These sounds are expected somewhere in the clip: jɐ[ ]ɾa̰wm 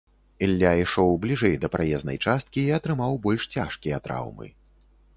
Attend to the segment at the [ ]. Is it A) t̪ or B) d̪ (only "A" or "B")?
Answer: A